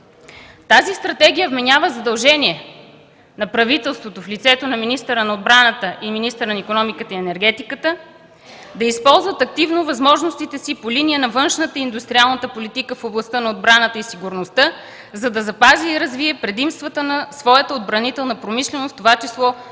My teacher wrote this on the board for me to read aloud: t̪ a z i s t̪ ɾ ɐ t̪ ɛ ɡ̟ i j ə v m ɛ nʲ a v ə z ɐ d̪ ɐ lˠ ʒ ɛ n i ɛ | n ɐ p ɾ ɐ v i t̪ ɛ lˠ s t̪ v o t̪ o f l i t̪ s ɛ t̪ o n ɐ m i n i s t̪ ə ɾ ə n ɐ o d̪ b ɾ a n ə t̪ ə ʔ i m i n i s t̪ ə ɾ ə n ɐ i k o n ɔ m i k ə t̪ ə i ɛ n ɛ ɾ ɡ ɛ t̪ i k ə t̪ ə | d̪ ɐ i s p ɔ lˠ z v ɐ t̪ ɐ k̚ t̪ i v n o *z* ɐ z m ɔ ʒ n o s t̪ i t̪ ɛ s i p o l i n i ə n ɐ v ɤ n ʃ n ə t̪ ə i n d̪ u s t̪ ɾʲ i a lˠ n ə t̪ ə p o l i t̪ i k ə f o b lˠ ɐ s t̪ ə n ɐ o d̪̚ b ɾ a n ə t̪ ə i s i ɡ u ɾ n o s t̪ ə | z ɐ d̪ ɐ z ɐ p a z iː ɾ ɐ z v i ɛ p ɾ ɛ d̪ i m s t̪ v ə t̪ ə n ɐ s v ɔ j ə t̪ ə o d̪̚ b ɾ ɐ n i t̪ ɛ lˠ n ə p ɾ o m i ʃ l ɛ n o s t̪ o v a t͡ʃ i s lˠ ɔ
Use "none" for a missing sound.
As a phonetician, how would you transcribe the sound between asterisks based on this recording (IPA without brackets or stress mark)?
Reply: v